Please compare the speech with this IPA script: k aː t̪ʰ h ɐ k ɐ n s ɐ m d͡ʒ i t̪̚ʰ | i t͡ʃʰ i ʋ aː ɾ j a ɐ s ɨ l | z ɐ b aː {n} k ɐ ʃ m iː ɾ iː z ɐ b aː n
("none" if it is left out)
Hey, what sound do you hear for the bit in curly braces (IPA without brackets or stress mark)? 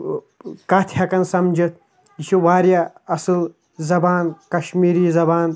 n